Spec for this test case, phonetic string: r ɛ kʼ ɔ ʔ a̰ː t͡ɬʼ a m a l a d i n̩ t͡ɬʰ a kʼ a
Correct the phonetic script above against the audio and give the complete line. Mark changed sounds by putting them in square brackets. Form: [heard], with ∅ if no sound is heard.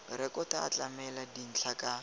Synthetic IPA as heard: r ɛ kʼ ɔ [t] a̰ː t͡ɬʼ a m [ɛ] l a d i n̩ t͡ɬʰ a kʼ a